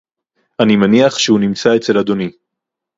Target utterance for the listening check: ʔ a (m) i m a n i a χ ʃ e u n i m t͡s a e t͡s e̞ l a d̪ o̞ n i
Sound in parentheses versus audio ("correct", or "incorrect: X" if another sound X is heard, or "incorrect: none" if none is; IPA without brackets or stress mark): incorrect: n